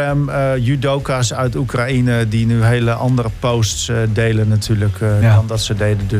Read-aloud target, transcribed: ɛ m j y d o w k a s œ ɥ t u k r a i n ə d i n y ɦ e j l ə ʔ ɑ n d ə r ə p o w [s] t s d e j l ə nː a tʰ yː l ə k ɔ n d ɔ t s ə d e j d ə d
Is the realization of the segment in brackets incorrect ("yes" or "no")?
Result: no